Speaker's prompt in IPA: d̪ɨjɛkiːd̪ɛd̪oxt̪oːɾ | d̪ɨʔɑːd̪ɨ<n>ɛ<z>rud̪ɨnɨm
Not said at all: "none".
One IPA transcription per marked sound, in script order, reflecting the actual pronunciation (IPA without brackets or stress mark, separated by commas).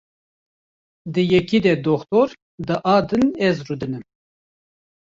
n, z